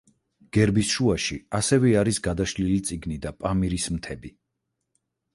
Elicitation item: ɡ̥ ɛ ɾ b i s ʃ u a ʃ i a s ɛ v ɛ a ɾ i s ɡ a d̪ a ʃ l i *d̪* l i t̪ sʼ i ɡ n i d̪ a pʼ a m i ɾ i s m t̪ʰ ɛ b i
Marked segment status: incorrect: none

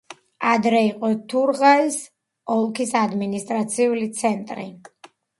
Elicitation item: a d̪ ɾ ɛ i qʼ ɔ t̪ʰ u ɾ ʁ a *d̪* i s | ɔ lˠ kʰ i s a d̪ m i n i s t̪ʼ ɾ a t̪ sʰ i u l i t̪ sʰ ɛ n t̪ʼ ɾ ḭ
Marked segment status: incorrect: none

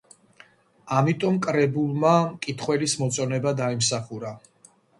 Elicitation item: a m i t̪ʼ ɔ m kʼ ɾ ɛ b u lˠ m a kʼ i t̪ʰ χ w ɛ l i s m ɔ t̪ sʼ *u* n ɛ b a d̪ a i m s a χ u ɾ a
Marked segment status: incorrect: ɔ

